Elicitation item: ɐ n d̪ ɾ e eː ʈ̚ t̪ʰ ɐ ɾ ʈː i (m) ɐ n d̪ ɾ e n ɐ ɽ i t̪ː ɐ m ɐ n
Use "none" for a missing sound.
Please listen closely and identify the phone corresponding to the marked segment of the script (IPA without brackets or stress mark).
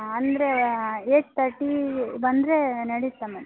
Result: b